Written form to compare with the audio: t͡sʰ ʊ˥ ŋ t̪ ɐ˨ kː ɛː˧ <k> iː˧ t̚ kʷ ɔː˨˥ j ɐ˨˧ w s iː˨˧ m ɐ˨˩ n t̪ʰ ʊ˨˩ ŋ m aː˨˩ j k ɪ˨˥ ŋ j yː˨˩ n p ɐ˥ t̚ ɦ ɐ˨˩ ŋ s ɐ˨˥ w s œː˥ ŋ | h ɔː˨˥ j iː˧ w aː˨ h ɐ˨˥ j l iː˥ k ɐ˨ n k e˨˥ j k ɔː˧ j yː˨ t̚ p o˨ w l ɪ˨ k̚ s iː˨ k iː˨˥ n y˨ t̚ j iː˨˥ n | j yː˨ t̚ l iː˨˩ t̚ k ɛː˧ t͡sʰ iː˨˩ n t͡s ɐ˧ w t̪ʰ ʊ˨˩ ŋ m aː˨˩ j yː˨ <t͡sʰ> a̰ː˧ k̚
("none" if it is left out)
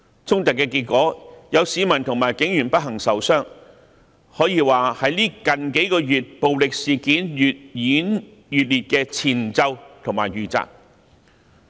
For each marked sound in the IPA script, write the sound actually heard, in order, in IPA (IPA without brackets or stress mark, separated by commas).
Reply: k, t͡s